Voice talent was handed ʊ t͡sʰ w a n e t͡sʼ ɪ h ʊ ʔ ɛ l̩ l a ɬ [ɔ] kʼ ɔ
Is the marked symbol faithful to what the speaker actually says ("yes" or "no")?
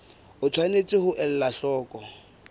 no